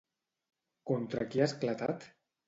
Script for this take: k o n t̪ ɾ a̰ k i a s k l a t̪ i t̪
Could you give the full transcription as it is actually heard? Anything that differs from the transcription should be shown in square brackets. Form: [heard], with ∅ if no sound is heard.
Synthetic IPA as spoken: k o n t̪ ɾ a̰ k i a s k l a t̪ [a] t̪